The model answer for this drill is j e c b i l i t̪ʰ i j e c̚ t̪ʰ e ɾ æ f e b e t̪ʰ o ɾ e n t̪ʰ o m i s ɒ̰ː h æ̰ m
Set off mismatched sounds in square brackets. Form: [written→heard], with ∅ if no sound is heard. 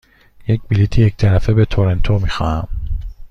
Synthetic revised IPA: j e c b i l i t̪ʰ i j e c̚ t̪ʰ [e→æ] ɾ æ f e b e t̪ʰ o ɾ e n t̪ʰ o m i [s→x] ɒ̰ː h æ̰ m